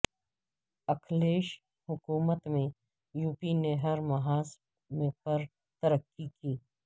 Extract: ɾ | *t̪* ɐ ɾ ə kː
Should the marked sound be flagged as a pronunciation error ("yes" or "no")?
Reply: no